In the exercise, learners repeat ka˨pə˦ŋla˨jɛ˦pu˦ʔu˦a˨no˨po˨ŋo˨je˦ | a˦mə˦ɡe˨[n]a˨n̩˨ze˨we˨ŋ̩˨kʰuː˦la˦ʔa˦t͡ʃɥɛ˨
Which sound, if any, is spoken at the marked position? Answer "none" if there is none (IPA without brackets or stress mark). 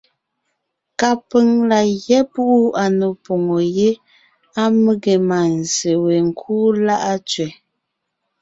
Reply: m